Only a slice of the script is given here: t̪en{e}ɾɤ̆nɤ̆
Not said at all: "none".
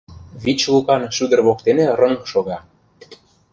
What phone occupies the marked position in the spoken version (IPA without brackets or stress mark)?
e